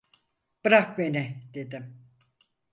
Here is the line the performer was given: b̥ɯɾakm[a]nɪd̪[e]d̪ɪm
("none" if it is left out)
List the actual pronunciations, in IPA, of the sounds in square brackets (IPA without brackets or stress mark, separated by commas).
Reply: e, e